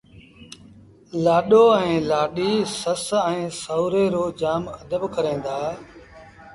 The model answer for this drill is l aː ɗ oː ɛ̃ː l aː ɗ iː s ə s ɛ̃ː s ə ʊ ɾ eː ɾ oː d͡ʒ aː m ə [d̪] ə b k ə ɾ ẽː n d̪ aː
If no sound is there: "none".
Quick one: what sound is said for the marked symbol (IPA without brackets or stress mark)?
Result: d̪